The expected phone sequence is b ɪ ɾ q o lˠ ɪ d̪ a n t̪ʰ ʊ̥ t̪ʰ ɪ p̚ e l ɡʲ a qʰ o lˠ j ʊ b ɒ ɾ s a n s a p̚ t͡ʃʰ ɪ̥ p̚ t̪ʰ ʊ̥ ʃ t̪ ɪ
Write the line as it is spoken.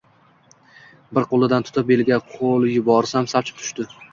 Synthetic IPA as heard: b ɪ ɾ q o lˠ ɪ d̪ a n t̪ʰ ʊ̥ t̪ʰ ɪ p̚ e l ɡʲ a qʰ o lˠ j ʊ b ɒ ɾ s a m s a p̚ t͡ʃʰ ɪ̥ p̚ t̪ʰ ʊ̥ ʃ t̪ ɪ